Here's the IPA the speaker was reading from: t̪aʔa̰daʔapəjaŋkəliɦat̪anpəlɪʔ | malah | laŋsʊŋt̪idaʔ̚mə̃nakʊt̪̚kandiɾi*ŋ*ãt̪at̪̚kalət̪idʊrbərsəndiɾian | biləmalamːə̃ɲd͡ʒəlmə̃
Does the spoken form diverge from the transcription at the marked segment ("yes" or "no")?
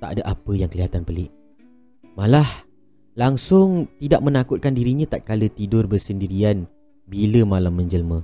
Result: yes